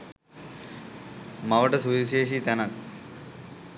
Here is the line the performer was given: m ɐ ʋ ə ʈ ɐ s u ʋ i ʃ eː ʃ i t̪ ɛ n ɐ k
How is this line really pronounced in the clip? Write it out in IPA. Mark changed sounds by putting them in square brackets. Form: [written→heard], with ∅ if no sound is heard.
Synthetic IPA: m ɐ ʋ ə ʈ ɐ s u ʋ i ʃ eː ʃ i t̪ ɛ n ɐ k